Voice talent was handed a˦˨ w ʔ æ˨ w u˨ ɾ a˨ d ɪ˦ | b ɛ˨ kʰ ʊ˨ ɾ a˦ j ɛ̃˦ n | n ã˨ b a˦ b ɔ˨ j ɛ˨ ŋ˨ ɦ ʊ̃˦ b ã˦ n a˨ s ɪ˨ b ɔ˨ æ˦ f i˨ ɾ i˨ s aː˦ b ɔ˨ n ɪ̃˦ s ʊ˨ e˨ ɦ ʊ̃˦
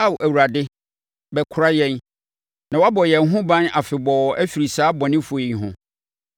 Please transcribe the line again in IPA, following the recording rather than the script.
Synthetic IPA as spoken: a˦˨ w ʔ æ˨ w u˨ ɾ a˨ d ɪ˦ | b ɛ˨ kʰ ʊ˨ ɾ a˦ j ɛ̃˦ n | n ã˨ w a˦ b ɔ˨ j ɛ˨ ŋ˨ ɦ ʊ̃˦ b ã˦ n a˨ f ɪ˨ b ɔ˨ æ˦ f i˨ ɾ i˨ s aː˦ b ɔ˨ n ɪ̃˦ f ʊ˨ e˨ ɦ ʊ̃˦

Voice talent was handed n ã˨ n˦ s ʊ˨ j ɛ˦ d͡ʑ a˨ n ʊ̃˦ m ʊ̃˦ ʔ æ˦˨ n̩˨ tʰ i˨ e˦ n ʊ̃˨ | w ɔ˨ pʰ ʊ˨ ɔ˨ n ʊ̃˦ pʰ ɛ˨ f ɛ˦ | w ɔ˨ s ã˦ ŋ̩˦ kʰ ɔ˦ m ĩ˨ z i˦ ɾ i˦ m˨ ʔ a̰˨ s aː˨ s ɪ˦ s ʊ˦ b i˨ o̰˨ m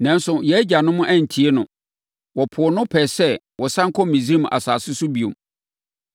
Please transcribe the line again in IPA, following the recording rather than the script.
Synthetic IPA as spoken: n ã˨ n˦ s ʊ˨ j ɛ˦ d͡ʑ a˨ n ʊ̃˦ m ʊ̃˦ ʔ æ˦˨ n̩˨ tʰ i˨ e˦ n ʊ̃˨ | w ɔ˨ pʰ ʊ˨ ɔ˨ n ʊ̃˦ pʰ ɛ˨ s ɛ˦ | w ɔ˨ s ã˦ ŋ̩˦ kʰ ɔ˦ m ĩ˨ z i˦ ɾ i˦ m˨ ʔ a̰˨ s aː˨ s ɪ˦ s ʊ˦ b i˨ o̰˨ m

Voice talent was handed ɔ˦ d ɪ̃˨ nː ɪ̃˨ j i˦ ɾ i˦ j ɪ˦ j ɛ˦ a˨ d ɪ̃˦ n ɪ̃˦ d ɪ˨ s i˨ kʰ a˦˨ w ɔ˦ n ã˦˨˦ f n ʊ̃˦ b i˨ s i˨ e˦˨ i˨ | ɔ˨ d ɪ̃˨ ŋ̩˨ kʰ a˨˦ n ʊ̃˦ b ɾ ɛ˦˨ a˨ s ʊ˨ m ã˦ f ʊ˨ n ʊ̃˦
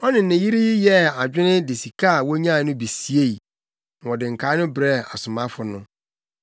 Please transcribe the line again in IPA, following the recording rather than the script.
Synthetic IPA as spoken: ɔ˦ n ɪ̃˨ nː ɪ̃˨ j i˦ ɾ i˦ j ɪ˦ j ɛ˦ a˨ d͡ʑᶣ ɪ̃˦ n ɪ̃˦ d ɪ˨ s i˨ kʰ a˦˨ w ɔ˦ ɲ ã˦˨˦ n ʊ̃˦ b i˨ s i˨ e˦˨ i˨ | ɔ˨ d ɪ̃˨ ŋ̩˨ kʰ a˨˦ n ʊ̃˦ b ɾ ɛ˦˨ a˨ s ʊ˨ m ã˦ f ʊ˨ n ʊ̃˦

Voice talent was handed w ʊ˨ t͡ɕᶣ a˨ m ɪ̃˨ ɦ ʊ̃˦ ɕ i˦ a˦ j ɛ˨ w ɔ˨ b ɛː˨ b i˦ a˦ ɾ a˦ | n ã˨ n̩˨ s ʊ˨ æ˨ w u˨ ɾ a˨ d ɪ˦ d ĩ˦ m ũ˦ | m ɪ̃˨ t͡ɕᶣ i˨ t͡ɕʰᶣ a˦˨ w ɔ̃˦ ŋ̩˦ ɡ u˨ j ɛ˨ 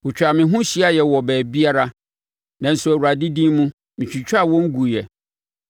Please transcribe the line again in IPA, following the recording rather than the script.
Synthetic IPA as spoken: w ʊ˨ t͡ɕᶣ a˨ m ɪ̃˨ ɦ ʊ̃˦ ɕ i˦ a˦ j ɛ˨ w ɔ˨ b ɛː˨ b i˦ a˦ ɾ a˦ | n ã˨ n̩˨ s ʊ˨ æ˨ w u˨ ɾ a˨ d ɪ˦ d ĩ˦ m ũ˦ | m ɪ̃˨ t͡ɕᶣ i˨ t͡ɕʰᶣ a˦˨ w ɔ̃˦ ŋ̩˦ ɡ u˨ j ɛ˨

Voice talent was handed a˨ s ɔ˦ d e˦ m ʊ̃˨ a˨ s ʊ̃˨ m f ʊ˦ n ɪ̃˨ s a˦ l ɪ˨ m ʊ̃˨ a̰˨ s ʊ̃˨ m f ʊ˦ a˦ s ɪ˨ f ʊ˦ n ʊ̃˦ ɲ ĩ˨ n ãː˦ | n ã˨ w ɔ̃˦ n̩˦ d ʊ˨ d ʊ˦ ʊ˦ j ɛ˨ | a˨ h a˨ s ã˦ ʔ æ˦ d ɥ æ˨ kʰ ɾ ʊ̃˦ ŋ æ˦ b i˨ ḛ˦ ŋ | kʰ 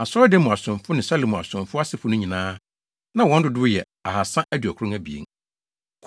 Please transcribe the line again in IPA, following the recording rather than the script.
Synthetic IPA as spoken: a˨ s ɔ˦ d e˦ m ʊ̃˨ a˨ s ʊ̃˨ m f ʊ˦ n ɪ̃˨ s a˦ l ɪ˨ m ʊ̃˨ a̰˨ s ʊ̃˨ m f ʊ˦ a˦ s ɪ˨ f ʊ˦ n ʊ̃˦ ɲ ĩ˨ n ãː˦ | n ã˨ w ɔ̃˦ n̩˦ d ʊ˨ d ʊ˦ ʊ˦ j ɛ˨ | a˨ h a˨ s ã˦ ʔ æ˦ d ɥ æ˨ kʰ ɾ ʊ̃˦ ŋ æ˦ b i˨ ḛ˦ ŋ | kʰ

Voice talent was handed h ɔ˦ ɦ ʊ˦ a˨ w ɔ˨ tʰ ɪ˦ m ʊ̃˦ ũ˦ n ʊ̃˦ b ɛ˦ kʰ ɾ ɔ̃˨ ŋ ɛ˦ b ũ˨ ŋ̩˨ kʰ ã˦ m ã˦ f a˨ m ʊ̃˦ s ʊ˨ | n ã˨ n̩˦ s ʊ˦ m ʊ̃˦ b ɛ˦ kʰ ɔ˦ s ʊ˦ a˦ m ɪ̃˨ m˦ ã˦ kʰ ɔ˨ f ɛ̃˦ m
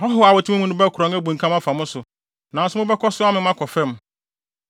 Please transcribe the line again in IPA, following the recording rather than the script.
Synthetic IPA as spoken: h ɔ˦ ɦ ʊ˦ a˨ w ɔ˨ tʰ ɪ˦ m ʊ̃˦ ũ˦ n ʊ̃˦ b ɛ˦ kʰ ɾ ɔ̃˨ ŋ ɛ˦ b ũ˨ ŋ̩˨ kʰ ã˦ m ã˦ f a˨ m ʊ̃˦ s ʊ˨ | n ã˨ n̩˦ s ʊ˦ m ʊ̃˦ b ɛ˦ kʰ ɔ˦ s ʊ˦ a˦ m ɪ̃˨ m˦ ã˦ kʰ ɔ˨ f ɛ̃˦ m

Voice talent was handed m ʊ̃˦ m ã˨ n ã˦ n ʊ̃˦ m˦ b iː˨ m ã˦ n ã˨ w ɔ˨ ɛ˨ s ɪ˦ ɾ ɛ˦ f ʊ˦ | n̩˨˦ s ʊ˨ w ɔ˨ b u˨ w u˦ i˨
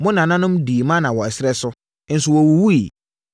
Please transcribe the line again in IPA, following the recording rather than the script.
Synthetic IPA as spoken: m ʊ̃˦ n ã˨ n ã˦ n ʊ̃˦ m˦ d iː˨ m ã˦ n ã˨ w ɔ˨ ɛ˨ s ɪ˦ ɾ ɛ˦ s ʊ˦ | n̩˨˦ s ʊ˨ w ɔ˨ w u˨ w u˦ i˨

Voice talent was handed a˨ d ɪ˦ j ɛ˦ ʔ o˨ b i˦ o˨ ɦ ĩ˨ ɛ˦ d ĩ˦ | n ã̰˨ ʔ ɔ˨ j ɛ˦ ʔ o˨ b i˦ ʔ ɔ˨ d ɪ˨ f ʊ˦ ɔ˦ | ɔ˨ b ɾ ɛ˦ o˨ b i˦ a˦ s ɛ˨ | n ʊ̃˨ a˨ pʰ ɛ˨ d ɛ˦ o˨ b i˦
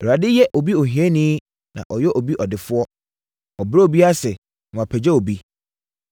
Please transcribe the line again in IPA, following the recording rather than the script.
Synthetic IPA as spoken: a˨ d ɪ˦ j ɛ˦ ʔ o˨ b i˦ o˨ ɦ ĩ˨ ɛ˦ n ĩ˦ | n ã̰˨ ʔ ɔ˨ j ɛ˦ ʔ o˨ b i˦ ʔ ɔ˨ d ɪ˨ f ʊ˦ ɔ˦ | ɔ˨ b ɾ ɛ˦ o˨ b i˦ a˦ s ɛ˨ | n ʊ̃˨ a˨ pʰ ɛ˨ d͡ʑ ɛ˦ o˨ b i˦

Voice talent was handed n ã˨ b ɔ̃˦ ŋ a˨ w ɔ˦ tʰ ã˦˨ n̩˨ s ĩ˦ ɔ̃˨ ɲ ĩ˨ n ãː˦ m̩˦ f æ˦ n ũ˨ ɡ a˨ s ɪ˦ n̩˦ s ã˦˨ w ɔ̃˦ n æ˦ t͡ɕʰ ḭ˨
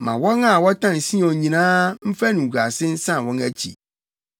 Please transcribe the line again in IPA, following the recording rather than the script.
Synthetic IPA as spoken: m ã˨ w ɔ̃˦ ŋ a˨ w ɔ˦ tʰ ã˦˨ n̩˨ s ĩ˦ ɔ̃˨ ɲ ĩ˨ n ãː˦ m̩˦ f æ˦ n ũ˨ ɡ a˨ s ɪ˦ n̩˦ s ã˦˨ w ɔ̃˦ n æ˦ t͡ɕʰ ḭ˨

